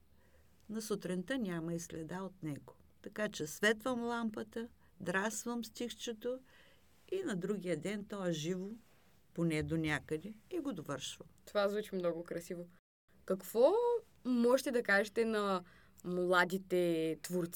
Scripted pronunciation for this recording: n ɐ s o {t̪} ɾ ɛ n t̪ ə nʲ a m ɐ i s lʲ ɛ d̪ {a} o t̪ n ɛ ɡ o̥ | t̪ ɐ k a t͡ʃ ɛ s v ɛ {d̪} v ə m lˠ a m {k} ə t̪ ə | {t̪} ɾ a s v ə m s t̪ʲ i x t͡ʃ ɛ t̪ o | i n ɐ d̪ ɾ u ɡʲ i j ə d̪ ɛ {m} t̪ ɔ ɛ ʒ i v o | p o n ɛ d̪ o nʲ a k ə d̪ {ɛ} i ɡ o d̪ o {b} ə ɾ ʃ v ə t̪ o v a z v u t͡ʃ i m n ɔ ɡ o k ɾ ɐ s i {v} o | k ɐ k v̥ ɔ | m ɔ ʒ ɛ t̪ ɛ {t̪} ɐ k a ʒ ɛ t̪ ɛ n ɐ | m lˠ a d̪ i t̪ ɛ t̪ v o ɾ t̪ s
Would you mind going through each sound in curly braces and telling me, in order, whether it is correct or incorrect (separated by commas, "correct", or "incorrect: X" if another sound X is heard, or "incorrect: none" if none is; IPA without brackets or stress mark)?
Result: correct, correct, incorrect: t̪, incorrect: p, incorrect: d̪, incorrect: n, correct, incorrect: v, correct, incorrect: d̪